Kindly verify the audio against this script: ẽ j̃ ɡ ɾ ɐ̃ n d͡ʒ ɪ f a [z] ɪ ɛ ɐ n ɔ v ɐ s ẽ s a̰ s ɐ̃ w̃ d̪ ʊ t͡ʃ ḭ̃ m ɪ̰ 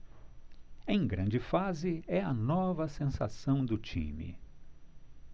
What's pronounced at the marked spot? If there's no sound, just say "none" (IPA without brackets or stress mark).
z